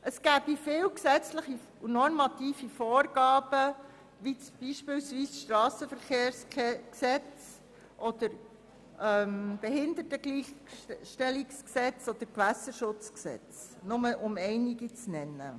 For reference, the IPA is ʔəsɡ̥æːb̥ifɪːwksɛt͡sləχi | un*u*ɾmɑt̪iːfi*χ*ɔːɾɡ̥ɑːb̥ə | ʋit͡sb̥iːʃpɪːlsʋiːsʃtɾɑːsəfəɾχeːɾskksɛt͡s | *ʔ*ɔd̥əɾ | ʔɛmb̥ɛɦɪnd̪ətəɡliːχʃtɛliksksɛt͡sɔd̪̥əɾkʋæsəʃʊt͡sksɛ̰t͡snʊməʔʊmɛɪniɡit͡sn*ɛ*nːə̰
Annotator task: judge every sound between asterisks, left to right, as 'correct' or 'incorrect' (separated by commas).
incorrect, incorrect, correct, correct